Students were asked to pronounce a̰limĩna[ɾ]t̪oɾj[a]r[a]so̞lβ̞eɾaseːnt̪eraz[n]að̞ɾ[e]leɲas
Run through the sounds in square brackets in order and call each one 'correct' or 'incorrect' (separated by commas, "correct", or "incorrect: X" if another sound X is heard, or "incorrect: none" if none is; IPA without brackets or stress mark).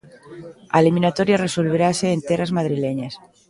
incorrect: none, correct, incorrect: e, incorrect: m, incorrect: i